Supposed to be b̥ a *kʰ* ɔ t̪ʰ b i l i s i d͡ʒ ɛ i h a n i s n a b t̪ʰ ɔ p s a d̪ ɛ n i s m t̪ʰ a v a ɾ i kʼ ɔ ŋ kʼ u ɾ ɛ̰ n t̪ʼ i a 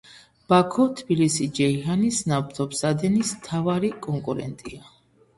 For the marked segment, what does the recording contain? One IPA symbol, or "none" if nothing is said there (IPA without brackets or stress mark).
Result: kʰ